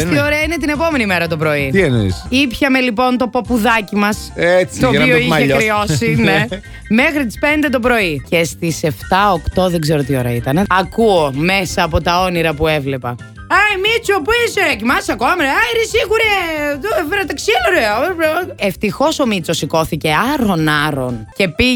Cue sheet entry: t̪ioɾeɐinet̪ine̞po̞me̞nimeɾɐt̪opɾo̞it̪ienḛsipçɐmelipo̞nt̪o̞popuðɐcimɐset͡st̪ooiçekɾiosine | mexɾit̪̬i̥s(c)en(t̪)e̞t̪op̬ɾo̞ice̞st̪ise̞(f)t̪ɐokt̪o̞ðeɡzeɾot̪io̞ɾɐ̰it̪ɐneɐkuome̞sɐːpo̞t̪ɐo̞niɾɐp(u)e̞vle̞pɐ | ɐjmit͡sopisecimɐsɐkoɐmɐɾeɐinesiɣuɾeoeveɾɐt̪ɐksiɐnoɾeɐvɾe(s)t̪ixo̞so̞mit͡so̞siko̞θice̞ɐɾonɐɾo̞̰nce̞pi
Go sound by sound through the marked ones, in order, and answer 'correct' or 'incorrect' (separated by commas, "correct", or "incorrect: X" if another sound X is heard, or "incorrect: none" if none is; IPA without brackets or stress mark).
incorrect: p, incorrect: d̪, correct, correct, incorrect: f